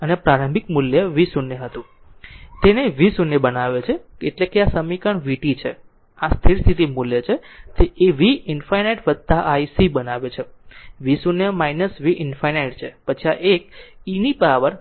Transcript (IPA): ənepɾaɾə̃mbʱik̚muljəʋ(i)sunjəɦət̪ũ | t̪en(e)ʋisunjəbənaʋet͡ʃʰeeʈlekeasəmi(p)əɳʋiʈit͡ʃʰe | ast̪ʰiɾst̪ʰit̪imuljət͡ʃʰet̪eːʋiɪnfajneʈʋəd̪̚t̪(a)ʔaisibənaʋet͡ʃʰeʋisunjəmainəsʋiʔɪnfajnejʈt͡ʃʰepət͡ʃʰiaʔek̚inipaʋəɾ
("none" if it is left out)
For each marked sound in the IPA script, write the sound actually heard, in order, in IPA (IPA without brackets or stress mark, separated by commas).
i, e, k, a